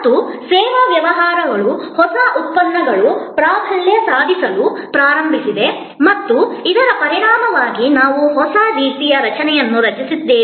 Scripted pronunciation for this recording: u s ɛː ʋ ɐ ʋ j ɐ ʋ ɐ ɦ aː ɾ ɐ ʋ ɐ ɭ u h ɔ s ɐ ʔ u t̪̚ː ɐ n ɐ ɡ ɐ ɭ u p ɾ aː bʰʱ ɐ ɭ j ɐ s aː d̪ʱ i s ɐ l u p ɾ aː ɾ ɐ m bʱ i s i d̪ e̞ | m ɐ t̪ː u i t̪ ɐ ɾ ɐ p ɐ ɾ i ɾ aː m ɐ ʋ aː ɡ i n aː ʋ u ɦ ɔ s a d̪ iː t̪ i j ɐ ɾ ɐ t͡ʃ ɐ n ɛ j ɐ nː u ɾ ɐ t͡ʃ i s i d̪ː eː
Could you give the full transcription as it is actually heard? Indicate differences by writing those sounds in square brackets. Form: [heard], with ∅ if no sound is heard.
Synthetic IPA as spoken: u s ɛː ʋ ɐ ʋ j ɐ ʋ ɐ ɦ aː ɾ ɐ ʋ ɐ ɭ u h ɔ s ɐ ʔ u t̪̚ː ɐ [nː] ɐ ɡ ɐ ɭ u p ɾ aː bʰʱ ɐ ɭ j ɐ s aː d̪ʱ i s ɐ l u p ɾ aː ɾ ɐ m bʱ i s i d̪ e̞ | m ɐ t̪ː u i [d̪] ɐ ɾ ɐ p ɐ ɾ i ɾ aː m ɐ ʋ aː ɡ i n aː ʋ u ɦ ɔ s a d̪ iː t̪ i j ɐ ɾ ɐ t͡ʃ ɐ n ɛ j ɐ nː u ɾ ɐ t͡ʃ i s i d̪ː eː